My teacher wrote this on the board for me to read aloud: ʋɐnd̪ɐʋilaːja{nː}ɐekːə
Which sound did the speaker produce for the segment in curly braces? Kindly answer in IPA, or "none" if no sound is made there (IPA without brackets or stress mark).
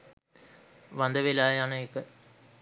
n